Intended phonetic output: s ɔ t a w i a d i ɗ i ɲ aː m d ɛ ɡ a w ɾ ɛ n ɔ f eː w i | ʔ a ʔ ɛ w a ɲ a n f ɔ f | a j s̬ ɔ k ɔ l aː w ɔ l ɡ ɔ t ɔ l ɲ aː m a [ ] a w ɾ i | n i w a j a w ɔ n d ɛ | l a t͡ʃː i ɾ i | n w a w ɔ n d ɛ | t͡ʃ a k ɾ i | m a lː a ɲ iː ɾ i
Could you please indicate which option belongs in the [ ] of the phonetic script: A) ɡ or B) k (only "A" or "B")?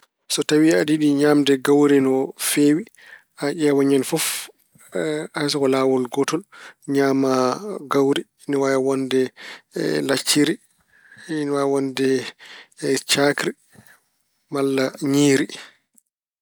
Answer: A